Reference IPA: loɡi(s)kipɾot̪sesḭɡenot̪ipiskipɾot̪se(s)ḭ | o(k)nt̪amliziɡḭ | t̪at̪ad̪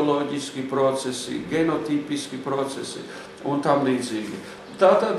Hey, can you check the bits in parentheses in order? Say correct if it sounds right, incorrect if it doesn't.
correct, correct, incorrect: none

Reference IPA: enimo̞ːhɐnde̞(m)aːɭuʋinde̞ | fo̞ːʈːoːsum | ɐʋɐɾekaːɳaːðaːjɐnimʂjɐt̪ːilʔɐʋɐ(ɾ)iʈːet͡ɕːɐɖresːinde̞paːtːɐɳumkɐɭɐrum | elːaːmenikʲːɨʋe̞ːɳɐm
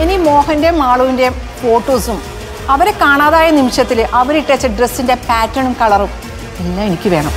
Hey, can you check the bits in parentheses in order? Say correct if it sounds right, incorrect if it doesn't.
correct, correct

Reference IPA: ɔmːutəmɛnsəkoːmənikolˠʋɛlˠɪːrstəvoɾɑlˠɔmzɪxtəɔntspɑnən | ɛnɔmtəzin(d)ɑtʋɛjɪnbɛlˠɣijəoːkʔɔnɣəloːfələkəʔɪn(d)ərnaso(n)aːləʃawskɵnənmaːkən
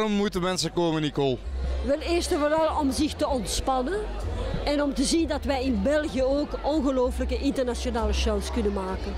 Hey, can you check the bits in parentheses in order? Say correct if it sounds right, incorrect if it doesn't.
correct, incorrect: t, correct

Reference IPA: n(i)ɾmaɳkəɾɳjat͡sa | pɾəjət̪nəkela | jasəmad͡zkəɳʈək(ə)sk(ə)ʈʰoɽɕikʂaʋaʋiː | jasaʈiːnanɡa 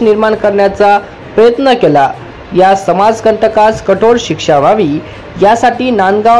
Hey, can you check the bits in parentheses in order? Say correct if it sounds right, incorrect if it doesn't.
correct, incorrect: a, correct

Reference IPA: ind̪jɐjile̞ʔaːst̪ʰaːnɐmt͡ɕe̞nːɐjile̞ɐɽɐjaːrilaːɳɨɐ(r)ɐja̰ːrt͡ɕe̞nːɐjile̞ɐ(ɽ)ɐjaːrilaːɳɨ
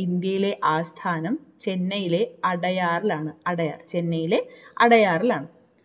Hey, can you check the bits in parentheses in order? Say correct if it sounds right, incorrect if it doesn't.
incorrect: ɽ, correct

